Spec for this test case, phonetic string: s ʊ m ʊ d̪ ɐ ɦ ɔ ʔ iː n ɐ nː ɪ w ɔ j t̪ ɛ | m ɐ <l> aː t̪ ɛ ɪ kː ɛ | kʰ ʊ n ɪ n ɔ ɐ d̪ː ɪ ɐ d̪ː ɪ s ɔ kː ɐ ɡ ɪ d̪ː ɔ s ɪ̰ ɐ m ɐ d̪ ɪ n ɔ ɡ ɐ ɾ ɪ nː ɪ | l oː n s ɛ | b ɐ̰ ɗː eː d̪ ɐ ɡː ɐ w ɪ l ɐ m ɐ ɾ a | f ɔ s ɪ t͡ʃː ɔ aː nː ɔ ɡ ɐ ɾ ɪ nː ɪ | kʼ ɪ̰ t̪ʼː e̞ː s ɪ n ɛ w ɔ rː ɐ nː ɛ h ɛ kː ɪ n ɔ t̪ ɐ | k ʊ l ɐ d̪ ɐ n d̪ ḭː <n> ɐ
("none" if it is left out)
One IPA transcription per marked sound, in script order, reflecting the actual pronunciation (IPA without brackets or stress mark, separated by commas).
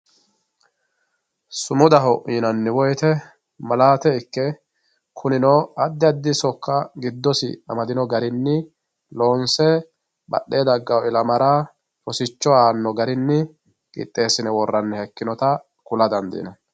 l, n